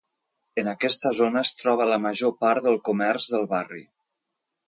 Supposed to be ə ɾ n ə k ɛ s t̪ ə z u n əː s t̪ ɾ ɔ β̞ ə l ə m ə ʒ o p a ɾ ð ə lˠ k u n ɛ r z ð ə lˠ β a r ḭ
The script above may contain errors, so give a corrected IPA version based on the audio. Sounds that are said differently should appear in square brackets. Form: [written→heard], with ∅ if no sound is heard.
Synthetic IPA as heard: ə [ɾ→∅] n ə k ɛ s t̪ ə z [u→o] n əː s t̪ ɾ ɔ β̞ ə l ə m ə ʒ o p a ɾ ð ə lˠ k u [n→m] ɛ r z ð ə lˠ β a r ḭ